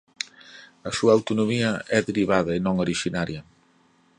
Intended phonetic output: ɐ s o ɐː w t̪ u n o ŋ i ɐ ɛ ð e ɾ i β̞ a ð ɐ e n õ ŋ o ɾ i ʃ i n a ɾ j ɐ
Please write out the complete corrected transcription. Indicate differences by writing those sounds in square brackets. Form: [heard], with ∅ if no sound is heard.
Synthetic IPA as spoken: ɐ s [u] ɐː w t̪ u n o [m] i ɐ ɛ ð e ɾ i β̞ a ð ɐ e n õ ŋ o ɾ i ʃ i n a ɾ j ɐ